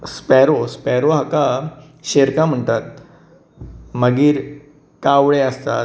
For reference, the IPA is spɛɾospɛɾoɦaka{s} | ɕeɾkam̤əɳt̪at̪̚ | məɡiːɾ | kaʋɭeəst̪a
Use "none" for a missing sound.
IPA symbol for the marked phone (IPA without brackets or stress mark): none